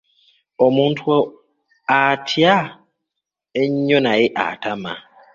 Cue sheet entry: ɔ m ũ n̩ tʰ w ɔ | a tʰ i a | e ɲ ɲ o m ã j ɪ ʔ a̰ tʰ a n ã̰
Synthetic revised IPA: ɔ m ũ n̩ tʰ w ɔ | a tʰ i a | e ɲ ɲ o n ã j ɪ ʔ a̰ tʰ a m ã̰